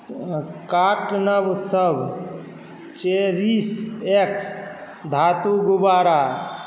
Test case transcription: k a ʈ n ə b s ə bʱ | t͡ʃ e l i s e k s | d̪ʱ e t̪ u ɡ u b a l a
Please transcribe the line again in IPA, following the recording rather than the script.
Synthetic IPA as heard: k a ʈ n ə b s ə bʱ | t͡ʃ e ɾ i s e k s | d̪ʱ a t̪ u ɡ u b a ɾ a